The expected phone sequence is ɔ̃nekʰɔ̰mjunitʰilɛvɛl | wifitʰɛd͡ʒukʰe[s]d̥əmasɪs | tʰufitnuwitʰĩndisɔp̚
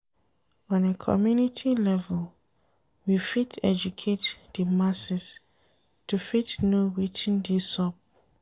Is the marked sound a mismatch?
yes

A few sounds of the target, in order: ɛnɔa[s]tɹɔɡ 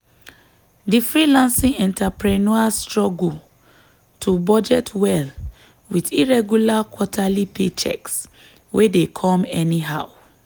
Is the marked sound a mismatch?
no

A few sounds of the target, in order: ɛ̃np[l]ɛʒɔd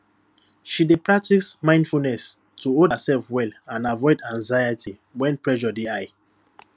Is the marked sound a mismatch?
yes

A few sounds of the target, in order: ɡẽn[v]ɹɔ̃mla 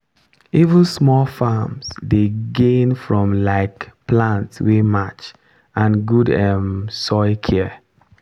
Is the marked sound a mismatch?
yes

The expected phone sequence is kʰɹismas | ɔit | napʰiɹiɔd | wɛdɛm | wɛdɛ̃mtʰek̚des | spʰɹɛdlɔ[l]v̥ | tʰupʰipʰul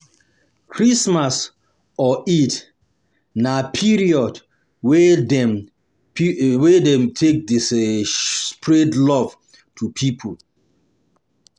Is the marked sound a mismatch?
yes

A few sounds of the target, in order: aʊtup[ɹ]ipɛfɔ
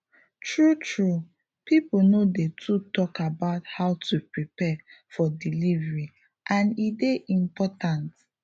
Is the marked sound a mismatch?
no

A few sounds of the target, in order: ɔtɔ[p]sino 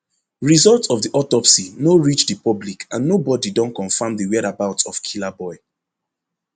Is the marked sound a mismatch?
no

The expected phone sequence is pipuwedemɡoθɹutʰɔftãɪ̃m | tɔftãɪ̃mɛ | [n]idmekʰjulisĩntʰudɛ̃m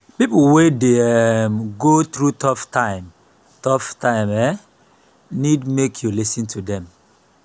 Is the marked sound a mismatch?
no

